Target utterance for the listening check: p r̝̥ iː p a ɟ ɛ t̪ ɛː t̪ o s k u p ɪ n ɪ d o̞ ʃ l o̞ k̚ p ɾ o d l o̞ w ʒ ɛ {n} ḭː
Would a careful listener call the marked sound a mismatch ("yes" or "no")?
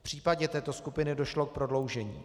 yes